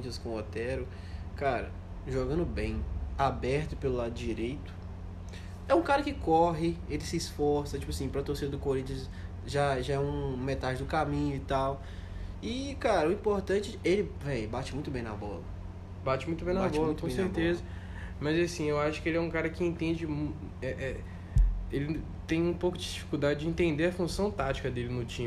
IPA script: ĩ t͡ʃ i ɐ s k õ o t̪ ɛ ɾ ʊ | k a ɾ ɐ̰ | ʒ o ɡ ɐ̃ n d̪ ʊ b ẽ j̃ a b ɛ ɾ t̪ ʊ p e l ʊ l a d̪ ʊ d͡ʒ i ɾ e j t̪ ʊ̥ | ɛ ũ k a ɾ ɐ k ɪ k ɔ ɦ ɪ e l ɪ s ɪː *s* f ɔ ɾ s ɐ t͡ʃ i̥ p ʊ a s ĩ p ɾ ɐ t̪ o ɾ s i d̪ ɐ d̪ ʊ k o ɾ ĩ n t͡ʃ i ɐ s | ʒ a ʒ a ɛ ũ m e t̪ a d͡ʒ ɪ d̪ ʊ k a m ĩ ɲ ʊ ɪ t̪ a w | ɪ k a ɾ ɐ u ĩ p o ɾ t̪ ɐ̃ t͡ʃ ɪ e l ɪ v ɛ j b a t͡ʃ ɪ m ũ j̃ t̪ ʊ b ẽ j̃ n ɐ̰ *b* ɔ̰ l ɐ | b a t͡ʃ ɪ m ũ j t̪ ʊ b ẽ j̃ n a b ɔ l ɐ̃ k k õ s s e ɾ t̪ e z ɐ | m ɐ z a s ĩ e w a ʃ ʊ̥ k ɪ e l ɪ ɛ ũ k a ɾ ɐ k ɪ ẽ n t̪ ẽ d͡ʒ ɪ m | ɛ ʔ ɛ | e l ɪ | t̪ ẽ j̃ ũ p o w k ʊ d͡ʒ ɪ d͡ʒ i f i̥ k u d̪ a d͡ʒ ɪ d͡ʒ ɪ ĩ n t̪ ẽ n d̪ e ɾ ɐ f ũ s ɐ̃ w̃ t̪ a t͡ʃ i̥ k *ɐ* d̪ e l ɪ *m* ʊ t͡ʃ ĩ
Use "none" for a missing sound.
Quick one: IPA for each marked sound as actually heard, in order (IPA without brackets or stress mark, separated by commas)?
s, b, ɐ, n